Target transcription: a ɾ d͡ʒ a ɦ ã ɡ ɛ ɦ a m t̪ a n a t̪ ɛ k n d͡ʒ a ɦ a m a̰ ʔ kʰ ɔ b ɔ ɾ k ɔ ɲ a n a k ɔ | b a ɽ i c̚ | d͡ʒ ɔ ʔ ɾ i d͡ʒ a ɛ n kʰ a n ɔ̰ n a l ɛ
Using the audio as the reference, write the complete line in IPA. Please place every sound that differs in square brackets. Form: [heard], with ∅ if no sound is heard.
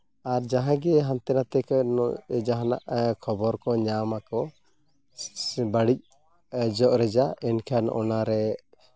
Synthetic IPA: a ɾ d͡ʒ a ɦ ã ɡ ɛ ɦ a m t̪ [ɛ] n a t̪ ɛ k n d͡ʒ a ɦ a [n] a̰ ʔ kʰ ɔ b ɔ ɾ k ɔ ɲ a [m] a k ɔ | b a ɽ i c̚ | d͡ʒ ɔ ʔ ɾ [ɛ] d͡ʒ a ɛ n kʰ a n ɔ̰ n a [ɾ] ɛ

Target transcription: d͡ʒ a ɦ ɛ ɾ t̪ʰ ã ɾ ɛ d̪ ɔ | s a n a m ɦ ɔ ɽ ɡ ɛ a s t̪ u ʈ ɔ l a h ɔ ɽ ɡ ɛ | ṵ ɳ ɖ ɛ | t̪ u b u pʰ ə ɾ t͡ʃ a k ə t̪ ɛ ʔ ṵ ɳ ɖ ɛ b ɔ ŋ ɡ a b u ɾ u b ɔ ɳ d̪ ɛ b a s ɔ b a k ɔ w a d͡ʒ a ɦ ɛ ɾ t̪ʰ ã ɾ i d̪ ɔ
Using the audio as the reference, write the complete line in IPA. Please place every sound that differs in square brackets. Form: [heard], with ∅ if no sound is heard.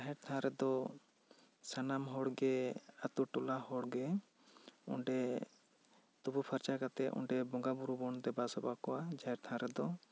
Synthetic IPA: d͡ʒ a ɦ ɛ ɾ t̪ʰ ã ɾ ɛ d̪ ɔ | s a n a m ɦ ɔ ɽ ɡ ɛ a [∅] t̪ u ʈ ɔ l a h ɔ ɽ ɡ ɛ | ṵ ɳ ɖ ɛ | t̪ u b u pʰ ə ɾ t͡ʃ a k [a] t̪ ɛ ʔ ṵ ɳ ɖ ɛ b ɔ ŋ ɡ a b u ɾ u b ɔ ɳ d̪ ɛ b a s ɔ b a k ɔ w a d͡ʒ a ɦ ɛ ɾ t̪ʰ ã ɾ [ɛ] d̪ ɔ

